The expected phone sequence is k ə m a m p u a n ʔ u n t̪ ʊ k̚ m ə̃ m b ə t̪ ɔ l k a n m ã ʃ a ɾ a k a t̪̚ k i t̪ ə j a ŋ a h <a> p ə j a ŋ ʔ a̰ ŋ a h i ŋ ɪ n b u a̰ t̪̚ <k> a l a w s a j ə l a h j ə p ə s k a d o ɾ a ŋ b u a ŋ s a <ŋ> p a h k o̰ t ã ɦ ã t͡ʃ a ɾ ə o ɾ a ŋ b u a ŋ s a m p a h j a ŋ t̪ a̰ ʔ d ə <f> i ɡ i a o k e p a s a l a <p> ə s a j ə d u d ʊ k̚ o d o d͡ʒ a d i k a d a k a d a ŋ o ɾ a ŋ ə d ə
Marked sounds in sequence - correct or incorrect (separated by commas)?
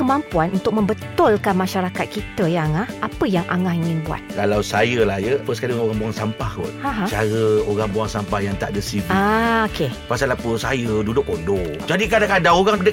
correct, correct, incorrect, incorrect, correct